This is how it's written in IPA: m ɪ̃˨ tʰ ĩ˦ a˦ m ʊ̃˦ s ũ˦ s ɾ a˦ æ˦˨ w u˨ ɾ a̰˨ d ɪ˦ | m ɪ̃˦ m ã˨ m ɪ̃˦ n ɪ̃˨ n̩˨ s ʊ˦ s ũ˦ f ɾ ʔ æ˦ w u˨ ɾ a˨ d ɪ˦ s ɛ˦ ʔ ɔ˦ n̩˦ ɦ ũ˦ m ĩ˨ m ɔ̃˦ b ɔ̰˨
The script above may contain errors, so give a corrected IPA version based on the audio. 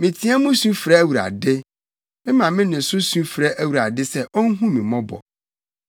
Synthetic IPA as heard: m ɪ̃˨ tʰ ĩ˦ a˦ m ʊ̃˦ s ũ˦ f ɾ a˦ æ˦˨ w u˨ ɾ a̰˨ d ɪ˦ | m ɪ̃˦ m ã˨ m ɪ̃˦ n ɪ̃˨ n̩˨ s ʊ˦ s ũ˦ f ɾ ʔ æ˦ w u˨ ɾ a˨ d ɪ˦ s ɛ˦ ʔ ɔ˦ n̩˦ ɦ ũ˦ m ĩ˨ m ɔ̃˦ b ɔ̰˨